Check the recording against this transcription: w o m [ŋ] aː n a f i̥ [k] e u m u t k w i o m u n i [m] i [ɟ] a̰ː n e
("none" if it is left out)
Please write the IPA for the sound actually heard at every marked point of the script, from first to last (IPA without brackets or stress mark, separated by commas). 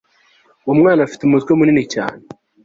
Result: ŋ, t, n, c